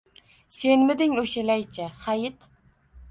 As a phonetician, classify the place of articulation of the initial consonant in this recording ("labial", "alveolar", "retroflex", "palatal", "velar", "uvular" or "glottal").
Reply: alveolar